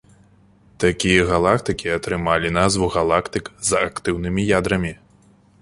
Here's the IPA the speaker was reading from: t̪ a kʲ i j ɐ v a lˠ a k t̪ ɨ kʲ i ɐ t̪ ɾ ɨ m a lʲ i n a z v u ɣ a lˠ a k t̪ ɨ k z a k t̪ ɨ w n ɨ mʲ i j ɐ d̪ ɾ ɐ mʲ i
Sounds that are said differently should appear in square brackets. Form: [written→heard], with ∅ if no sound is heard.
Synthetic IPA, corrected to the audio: t̪ a kʲ i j ɐ [v→ɣ] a lˠ a k t̪ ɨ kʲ i ɐ t̪ ɾ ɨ m a lʲ i n a z v u ɣ a lˠ a k t̪ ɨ k z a k t̪ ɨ w n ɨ mʲ i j [ɐ→a] d̪ ɾ ɐ mʲ i